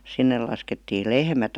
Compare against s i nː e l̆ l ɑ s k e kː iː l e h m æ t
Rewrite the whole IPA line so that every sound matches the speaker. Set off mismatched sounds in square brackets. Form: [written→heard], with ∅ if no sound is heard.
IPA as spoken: s i nː e l̆ l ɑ s k e [kː→tː] iː l e h m æ t